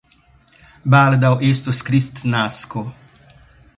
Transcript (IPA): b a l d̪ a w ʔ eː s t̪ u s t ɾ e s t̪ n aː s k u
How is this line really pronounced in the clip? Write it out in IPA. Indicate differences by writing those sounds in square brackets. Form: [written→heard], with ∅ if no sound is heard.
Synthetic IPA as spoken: b a l d̪ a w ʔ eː s t̪ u s [t→k] ɾ [e→i] s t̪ n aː s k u